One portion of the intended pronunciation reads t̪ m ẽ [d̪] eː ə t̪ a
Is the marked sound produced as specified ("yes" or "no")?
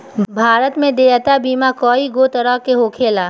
yes